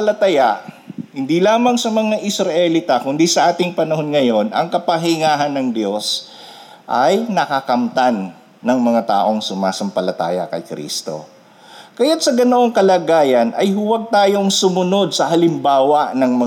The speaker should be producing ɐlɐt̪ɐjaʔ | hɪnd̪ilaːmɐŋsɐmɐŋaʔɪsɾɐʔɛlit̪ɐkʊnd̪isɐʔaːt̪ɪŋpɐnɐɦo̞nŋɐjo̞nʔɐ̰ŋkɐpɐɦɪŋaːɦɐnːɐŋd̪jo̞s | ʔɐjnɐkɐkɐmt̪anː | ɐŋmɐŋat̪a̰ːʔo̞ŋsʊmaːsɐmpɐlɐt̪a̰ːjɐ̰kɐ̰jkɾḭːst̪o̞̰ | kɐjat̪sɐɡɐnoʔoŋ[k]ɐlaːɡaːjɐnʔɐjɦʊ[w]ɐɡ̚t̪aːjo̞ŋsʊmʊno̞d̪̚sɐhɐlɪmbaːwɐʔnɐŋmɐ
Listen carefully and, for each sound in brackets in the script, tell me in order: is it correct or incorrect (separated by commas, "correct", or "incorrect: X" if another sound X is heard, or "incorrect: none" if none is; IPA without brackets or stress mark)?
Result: correct, correct